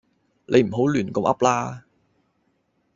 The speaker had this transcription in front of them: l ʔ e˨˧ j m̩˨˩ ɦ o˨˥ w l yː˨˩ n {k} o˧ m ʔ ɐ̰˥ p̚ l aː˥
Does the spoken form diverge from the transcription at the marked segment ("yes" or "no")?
no